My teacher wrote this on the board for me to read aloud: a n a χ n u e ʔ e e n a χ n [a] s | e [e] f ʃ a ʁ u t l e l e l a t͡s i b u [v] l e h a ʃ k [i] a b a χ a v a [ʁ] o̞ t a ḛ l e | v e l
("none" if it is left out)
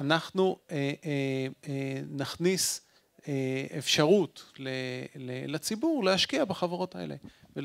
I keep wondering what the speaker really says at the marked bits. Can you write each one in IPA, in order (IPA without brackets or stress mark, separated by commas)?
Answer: i, e, ʁ, i, ʁ